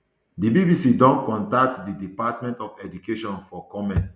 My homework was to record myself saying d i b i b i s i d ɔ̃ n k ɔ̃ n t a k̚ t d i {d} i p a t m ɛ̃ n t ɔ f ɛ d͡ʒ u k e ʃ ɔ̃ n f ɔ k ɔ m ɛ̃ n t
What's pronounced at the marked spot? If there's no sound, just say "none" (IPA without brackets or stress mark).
d